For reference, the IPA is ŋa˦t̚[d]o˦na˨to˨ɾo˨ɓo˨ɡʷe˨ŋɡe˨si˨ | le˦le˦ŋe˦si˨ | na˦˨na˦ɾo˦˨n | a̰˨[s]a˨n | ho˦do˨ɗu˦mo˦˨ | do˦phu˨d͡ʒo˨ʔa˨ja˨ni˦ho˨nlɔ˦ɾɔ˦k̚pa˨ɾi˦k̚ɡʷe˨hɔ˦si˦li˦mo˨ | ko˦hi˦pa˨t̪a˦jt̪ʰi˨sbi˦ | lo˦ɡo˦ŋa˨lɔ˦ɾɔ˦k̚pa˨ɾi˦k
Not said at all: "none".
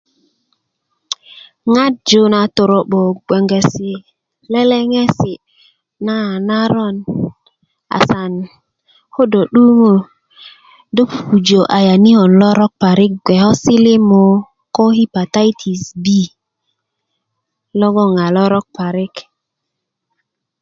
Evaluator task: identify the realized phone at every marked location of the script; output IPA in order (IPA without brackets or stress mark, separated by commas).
d͡ʒ, s